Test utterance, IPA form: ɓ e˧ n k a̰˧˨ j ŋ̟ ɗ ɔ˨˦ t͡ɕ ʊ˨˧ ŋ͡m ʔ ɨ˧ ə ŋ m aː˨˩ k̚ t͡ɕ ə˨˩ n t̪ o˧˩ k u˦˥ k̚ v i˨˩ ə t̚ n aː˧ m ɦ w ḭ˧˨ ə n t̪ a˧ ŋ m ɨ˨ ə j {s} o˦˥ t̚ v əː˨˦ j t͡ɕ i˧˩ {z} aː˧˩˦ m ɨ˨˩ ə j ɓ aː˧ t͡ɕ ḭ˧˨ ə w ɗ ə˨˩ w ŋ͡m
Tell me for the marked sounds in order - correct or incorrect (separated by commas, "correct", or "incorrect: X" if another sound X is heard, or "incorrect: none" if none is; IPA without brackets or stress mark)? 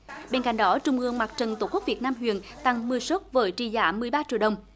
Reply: correct, correct